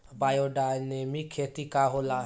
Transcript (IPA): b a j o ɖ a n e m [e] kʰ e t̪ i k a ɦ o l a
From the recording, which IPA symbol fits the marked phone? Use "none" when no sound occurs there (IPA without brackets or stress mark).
i